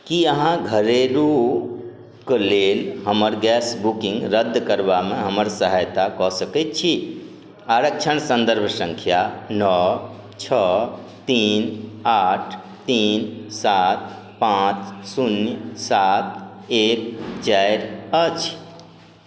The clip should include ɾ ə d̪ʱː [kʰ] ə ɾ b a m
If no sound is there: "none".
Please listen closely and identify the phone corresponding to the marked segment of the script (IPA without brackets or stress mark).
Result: k